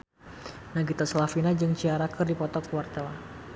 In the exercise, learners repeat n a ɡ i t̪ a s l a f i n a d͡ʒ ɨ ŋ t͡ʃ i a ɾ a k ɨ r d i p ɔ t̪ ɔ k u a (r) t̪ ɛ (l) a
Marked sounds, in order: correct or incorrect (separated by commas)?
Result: correct, correct